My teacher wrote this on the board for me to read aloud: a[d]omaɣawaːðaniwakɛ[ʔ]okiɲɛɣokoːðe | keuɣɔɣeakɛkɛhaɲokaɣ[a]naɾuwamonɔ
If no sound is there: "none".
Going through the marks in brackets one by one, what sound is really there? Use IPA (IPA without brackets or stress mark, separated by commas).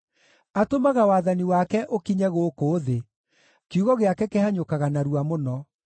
t, ʔ, a